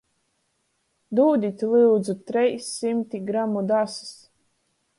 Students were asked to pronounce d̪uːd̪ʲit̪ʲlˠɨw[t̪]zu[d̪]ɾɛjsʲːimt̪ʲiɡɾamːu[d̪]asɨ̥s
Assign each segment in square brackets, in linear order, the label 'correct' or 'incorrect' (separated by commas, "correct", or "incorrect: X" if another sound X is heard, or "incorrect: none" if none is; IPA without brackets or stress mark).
incorrect: d̪, incorrect: t̪, correct